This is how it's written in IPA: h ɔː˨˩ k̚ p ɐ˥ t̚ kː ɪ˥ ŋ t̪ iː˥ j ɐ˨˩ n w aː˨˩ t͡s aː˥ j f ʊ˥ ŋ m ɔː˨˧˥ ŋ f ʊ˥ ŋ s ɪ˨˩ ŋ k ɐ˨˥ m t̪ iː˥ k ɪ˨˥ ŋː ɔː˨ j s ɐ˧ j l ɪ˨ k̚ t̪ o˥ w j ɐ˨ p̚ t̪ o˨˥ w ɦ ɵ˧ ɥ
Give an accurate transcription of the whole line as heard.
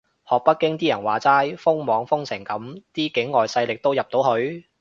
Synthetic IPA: h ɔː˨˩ k̚ p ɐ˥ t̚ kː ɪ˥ ŋ t̪ iː˥ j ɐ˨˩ n w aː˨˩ t͡s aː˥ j f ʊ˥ ŋ m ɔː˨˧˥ ŋ f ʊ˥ ŋ s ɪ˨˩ ŋ k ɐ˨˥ m t̪ iː˥ k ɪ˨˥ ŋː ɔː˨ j s ɐ˧ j l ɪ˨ k̚ t̪ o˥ w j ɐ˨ p̚ t̪ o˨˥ w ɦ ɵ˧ ɥ